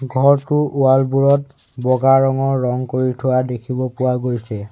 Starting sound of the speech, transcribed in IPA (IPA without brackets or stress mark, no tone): ɡʱ